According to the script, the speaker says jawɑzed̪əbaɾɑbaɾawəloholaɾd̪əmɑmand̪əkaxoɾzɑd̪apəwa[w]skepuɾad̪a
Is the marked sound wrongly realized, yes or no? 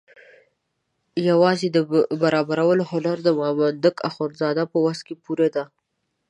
yes